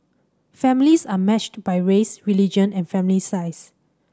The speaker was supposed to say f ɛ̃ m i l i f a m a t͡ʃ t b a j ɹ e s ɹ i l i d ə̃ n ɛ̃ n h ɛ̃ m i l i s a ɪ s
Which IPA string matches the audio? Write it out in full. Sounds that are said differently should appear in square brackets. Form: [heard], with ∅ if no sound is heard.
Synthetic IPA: f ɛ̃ m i l i [s] a m [ɛ] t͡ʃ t b a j ɹ e s ɹ i l i [d͡ʒ] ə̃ n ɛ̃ n [f] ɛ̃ m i l i s a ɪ s